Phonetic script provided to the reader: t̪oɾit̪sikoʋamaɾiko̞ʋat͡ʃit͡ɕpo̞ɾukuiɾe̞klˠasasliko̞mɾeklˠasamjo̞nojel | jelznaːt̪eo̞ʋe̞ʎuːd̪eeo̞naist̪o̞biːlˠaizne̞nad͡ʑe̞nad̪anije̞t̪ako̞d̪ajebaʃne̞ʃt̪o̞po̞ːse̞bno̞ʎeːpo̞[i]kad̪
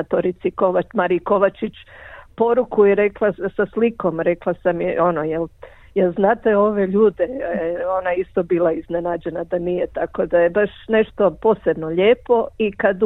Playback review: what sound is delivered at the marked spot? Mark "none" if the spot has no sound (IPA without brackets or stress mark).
i